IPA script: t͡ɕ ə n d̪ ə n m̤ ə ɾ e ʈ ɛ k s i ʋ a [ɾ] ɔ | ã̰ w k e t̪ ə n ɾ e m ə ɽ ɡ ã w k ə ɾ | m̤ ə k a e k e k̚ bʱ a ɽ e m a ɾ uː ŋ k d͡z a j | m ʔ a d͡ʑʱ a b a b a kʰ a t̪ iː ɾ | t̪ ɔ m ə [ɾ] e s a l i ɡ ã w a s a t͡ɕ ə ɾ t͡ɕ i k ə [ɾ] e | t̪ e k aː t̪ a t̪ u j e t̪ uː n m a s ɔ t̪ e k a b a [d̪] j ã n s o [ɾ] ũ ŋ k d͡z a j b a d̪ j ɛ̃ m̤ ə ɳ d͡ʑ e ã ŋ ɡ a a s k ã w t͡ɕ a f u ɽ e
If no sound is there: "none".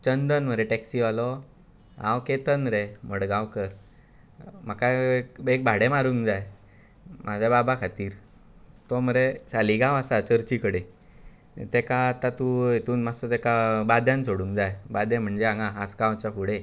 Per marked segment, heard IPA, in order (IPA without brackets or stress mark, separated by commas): l, ɾ, ɽ, d̪, ɽ